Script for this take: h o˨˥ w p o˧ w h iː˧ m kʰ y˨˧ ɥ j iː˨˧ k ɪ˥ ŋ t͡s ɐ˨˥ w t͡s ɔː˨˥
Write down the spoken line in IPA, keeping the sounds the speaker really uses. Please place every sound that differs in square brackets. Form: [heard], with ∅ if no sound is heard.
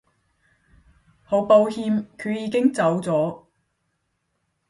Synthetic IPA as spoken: h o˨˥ w p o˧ w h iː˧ m kʰ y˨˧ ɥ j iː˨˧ k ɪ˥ ŋ t͡s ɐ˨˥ w t͡s ɔː˨˥